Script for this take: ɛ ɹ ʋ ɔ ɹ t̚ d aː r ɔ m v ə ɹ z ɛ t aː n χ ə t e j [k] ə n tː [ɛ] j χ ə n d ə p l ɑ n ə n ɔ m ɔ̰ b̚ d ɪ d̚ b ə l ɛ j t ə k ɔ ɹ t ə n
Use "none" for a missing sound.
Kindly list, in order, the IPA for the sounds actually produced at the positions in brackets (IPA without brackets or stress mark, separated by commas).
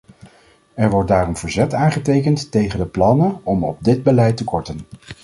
k, e